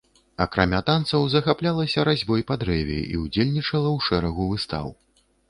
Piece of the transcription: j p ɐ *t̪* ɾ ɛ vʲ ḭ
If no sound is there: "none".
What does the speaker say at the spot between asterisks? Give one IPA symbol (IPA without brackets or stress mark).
d̪